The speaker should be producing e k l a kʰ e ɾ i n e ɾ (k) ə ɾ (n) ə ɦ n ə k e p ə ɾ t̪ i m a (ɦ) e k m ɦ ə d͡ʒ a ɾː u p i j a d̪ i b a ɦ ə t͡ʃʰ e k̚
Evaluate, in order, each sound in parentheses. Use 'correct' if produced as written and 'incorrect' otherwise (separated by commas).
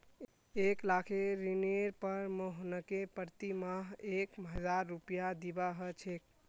incorrect, incorrect, correct